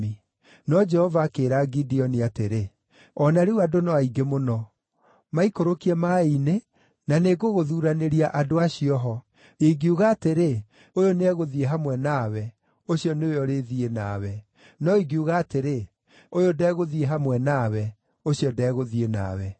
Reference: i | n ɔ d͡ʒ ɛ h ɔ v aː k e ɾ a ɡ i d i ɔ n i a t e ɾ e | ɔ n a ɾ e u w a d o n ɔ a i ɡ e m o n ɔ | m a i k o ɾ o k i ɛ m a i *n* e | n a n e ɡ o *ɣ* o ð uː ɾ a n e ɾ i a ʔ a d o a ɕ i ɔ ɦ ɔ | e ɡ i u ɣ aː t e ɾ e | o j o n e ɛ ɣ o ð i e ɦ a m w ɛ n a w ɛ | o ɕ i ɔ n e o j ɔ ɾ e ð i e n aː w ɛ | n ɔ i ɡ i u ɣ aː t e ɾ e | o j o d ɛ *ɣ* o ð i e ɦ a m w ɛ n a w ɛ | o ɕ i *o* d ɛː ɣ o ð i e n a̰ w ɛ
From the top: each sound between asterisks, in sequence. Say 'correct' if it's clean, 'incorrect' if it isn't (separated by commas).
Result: correct, correct, correct, incorrect